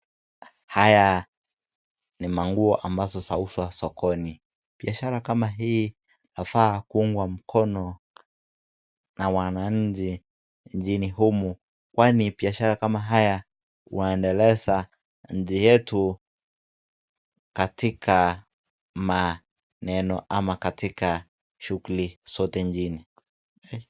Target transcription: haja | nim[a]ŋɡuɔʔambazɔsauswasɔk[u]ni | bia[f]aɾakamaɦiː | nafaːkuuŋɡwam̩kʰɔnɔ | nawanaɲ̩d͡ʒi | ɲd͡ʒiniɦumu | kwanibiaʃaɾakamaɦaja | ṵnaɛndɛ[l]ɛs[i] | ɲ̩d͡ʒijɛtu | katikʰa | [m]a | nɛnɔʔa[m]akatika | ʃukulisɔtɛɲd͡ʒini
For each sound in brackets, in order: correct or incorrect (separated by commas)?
correct, incorrect, incorrect, correct, incorrect, correct, correct